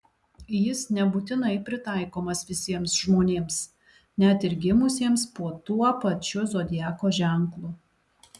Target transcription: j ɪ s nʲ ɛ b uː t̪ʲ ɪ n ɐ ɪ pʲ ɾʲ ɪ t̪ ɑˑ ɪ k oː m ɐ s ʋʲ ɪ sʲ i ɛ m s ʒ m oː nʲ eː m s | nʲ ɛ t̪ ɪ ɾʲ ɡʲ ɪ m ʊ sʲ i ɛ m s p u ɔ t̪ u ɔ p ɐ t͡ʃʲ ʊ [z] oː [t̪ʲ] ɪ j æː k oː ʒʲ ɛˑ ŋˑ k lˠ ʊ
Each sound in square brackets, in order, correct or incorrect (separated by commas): correct, incorrect